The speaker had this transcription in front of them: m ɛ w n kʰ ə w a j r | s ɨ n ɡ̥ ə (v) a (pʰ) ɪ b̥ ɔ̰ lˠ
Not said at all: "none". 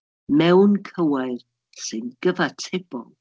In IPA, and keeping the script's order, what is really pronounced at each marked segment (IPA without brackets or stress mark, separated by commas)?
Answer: v, tʰ